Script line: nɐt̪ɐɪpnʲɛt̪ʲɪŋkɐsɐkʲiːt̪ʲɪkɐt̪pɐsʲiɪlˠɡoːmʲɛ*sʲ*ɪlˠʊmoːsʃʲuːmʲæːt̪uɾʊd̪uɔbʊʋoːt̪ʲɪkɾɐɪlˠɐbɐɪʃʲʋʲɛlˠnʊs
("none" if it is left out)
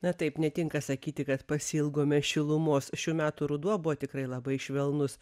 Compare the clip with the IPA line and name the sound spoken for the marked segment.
ʃʲ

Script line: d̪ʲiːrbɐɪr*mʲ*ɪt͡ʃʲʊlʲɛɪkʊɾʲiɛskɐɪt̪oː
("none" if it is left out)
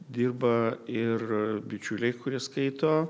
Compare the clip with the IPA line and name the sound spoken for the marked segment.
bʲ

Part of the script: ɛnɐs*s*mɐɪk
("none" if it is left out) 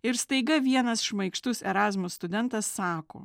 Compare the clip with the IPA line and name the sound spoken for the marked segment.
ʃ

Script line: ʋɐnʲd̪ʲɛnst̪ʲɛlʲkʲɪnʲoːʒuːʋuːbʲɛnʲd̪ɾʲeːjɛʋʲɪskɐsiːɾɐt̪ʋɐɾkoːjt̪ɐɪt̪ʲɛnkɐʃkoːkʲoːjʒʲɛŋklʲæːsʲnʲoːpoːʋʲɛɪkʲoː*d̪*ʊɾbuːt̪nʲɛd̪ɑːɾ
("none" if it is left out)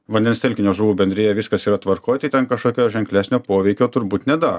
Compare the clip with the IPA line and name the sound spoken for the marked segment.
t̪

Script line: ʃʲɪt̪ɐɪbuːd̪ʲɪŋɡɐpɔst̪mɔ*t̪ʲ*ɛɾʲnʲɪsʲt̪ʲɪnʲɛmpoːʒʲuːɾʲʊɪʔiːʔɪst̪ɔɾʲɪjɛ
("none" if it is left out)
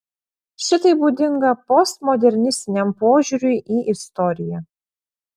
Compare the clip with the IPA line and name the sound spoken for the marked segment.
d̪ʲ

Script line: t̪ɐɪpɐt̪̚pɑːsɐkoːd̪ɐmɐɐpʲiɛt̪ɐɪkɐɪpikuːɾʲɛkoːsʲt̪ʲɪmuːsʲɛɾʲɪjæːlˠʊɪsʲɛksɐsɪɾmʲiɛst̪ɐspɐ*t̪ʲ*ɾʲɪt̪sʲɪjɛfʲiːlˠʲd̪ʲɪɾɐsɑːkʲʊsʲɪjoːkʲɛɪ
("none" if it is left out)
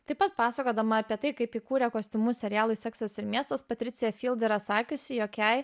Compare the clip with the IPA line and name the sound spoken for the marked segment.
t̪ʲ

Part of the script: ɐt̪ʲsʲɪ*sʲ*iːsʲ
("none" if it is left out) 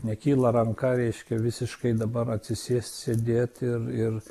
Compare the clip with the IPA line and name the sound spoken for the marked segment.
sʲ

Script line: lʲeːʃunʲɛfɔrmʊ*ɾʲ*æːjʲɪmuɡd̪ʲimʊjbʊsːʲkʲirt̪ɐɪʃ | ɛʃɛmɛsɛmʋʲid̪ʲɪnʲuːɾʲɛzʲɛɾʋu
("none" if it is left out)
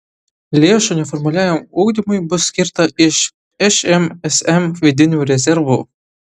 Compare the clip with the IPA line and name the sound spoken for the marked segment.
lʲ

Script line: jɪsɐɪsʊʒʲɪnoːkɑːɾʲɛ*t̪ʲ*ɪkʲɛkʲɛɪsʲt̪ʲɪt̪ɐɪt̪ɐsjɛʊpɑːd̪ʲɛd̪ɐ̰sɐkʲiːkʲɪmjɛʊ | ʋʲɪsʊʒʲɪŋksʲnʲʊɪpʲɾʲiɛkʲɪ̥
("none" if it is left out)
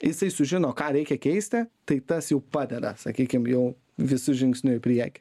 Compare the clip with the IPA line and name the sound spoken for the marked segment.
none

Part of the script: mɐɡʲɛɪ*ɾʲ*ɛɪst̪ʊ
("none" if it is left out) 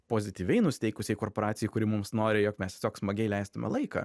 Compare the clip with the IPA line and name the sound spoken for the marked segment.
lʲ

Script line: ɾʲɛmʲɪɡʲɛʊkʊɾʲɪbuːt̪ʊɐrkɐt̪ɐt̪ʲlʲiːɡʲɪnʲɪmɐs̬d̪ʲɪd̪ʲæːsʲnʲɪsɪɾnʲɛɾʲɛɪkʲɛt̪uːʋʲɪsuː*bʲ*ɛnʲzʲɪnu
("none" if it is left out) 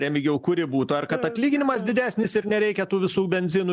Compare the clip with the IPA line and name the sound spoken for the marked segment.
bʲ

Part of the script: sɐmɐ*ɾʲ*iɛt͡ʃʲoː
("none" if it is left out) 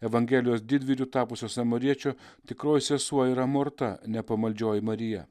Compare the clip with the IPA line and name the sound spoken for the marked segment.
ɾʲ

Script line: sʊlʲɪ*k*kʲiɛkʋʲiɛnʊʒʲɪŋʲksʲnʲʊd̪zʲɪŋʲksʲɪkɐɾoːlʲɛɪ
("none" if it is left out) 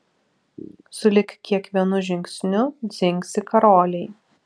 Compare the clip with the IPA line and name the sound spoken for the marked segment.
k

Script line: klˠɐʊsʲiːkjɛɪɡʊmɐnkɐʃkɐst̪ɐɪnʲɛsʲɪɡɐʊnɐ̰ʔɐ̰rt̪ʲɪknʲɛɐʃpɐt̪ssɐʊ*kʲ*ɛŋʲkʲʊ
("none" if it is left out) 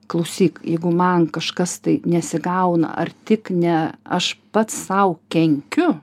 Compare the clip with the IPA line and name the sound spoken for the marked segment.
kʲ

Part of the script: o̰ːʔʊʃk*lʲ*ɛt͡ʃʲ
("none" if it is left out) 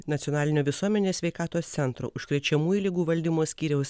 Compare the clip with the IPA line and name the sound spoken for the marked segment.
ɾʲ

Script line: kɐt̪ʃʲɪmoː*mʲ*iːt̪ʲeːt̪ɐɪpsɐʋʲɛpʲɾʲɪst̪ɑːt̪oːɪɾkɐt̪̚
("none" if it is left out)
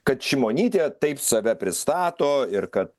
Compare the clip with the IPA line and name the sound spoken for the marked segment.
nʲ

